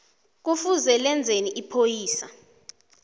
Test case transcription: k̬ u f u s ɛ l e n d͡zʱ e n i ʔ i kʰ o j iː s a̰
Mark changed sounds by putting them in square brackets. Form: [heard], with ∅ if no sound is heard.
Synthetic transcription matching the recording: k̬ u f u [z] ɛ l [ɛ] n d͡zʱ e n i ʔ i [pʰ] o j iː s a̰